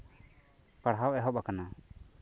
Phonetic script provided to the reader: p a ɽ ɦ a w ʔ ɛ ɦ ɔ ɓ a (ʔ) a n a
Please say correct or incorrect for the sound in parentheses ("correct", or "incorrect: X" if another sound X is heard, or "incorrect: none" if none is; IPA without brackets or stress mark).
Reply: incorrect: k